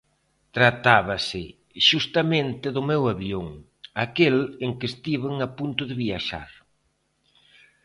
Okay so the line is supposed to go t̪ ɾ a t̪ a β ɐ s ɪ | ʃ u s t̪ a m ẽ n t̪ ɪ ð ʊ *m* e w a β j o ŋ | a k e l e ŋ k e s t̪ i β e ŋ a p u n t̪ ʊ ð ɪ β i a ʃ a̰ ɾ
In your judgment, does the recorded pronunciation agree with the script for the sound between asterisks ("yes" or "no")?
yes